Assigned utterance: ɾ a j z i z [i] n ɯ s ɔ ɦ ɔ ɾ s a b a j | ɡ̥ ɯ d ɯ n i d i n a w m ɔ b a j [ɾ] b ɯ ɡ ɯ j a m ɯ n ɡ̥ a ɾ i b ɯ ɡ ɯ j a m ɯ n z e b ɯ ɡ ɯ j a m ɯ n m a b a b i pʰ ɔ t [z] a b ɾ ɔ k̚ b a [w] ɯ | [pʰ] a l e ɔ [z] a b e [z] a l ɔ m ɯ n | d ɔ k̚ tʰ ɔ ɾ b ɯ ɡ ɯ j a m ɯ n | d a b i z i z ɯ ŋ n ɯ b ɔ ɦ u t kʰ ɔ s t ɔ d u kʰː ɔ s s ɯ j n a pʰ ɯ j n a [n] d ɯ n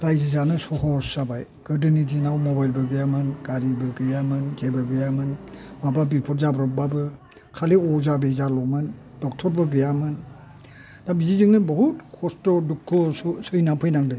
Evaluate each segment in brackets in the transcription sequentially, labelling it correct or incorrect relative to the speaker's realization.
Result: incorrect: a, incorrect: l, correct, incorrect: b, incorrect: kʰ, correct, correct, incorrect: ŋ

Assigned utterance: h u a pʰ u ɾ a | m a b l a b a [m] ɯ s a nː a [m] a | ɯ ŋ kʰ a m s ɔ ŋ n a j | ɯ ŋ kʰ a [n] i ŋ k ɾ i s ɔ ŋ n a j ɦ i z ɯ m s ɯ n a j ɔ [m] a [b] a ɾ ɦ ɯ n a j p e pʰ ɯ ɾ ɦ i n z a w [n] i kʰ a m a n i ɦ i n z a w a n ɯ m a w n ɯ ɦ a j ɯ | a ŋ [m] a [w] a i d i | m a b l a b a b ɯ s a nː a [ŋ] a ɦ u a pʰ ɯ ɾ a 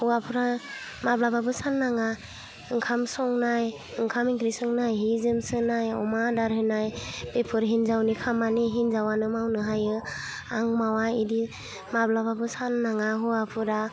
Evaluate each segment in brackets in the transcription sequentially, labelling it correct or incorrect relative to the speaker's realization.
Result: incorrect: b, incorrect: ŋ, incorrect: m, correct, incorrect: d, correct, correct, correct, correct

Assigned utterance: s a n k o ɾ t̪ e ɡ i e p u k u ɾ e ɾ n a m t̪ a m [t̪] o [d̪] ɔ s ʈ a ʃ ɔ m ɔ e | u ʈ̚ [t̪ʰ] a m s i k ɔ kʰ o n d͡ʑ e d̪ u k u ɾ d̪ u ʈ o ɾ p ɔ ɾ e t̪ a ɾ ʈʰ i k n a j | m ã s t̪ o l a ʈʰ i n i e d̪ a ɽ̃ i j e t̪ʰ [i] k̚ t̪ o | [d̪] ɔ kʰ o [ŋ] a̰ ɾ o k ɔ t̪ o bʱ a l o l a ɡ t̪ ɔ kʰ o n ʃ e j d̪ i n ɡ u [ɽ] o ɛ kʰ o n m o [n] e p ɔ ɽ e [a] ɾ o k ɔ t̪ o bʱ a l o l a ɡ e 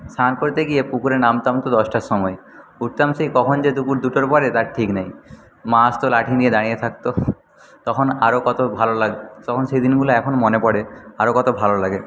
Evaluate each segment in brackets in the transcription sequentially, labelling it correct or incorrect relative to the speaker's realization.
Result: correct, correct, incorrect: t̪, incorrect: a, incorrect: t̪, incorrect: n, incorrect: l, correct, correct

